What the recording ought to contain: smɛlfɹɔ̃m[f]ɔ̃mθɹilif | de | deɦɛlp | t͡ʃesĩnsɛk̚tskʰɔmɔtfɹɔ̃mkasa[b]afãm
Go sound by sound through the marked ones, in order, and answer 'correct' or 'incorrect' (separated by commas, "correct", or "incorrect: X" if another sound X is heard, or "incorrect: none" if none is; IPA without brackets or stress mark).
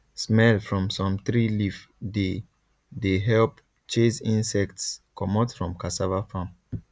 incorrect: s, incorrect: v